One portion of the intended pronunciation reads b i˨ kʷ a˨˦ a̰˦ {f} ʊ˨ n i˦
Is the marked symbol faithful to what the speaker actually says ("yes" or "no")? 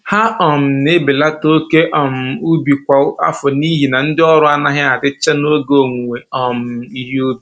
yes